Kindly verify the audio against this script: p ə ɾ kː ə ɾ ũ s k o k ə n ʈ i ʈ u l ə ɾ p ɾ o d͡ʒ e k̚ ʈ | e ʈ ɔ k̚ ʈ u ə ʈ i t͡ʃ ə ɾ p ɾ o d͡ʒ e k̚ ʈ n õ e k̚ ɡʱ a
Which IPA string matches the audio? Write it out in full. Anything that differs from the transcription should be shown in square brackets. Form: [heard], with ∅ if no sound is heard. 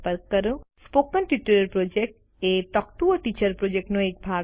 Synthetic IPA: p ə ɾ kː ə ɾ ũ s [p] o k ə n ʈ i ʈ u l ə ɾ p ɾ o d͡ʒ e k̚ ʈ | e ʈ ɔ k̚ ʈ u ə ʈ i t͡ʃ ə ɾ p ɾ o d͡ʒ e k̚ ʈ n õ e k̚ [bʱ] a